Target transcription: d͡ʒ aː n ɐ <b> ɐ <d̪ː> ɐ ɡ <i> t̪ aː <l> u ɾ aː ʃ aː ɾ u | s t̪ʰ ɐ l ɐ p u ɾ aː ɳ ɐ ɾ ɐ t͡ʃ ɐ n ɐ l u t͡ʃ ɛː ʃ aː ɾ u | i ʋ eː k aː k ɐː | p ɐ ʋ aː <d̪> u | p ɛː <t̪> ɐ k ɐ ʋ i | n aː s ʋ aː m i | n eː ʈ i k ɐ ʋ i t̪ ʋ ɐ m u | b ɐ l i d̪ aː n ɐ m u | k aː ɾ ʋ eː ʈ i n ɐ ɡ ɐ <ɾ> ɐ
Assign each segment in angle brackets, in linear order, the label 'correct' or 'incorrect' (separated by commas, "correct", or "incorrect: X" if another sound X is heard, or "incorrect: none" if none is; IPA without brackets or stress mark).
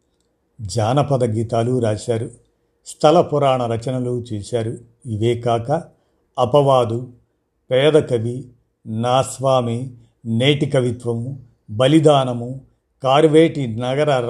incorrect: p, incorrect: d̪, incorrect: iː, correct, correct, incorrect: d̪, correct